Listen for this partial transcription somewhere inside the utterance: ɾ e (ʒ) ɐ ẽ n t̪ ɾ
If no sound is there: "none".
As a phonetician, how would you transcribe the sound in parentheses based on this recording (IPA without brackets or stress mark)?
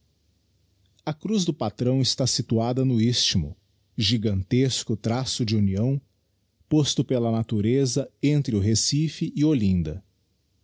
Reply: z